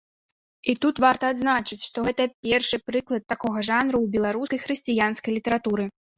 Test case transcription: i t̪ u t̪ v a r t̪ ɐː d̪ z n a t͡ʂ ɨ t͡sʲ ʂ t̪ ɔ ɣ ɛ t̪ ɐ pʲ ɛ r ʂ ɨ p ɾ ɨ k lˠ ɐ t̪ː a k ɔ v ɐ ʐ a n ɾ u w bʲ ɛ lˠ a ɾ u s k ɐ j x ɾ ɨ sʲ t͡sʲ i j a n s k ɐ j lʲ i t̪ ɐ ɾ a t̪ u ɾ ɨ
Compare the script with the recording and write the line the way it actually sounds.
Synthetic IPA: i t̪ u t̪ v a r t̪ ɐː d̪ z n a t͡ʂ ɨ t͡sʲ ʂ t̪ ɔ ɣ ɛ t̪ ɐ pʲ ɛ r ʂ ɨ p ɾ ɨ k lˠ ɐ t̪ː a k ɔ ɣ ɐ ʐ a n ɾ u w bʲ ɛ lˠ a ɾ u s k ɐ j x ɾ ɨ sʲ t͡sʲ i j a n s k ɐ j lʲ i t̪ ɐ ɾ a t̪ u ɾ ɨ